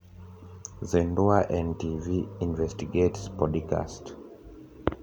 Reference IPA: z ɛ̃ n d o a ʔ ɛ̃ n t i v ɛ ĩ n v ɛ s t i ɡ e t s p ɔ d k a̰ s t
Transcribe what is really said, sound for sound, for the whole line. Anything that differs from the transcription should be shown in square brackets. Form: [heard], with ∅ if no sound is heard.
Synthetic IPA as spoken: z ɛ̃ n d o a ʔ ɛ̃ n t i v [i] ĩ n v ɛ s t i ɡ e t s p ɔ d k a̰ s t

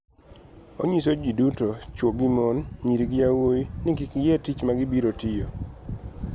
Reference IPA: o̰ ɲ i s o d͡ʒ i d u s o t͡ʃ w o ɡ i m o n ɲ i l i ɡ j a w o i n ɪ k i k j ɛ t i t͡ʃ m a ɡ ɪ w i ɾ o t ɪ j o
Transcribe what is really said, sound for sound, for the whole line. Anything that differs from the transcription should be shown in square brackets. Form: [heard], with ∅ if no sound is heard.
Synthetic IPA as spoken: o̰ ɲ i s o d͡ʒ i d u [t] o t͡ʃ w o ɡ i m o n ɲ i [ɾ] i ɡ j a w o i n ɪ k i k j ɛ t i t͡ʃ m a ɡ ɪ [b] i ɾ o t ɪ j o

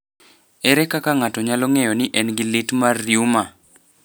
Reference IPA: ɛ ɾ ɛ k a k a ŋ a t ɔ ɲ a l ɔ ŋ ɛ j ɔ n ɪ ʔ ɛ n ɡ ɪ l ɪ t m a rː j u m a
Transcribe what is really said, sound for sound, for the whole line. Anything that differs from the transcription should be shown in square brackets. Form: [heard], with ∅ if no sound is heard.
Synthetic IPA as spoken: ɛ ɾ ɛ k a k a ŋ a t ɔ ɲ a l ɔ ŋ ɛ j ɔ n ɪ ʔ ɛ n ɡ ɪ l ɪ t m a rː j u m a

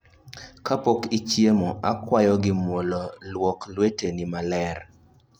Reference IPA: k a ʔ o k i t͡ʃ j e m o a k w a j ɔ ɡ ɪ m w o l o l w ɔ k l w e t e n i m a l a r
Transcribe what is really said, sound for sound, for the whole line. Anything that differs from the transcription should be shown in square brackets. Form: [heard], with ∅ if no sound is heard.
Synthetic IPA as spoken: k a [p] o k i t͡ʃ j e m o a k w a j ɔ ɡ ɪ m w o l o l w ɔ k l w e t e n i m a l [ɛ] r

